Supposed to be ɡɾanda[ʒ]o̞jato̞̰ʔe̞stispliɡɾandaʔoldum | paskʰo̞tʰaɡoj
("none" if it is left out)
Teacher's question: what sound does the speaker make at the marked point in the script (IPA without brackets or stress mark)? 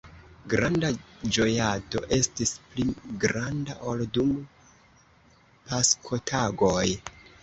d͡ʒ